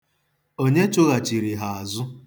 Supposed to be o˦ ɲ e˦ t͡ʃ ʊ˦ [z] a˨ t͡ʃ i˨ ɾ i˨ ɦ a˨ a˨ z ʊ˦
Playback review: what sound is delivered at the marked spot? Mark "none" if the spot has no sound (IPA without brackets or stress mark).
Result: ɣ